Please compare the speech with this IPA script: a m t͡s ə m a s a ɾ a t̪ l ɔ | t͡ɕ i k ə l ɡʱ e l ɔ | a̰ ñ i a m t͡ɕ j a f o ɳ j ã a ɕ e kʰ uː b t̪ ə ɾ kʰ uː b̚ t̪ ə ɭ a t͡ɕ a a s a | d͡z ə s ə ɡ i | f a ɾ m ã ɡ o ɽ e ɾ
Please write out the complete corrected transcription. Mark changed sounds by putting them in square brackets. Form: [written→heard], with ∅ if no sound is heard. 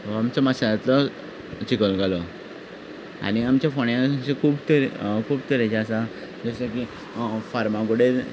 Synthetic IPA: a m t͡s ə m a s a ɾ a t̪ l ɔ | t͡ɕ i k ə l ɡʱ [e→a] l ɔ | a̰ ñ i a m t͡ɕ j a f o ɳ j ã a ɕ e kʰ uː b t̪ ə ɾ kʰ uː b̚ t̪ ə [ɭ→ɾ] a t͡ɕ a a s a | d͡z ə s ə [ɡ→k] i | f a ɾ m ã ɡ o ɽ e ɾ